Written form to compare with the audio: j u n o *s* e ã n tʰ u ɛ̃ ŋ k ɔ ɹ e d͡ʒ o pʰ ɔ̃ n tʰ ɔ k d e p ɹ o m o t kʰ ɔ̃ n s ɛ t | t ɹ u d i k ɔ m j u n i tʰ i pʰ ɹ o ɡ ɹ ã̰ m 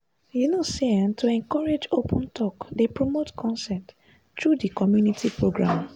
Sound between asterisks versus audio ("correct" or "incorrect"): correct